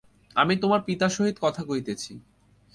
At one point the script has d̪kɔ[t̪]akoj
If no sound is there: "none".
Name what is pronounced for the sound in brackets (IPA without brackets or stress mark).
t̪ʰ